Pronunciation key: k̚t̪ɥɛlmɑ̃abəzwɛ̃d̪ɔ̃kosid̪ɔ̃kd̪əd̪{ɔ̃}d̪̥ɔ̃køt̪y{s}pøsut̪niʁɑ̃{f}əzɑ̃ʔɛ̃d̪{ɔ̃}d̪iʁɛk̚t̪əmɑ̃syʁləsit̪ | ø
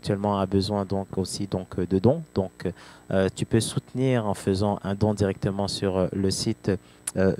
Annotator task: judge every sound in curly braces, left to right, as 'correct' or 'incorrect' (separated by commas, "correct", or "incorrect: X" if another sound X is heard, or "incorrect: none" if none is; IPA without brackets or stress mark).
correct, incorrect: none, correct, correct